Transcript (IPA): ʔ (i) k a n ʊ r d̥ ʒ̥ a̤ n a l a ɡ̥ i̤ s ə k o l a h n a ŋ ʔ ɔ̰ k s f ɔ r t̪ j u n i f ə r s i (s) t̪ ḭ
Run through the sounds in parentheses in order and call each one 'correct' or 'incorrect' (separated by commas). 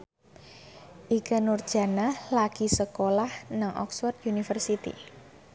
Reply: correct, incorrect